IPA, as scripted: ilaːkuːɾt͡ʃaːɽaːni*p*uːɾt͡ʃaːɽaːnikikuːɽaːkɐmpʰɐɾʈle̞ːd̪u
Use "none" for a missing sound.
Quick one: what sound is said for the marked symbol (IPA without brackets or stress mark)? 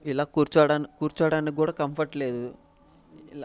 k